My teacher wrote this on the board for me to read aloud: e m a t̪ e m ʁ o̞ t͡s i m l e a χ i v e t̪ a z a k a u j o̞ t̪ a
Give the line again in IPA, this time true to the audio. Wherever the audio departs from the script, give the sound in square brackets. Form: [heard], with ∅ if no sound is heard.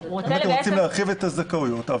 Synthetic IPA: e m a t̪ e m ʁ o̞ t͡s i m l e a χ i v e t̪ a z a k a u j o̞ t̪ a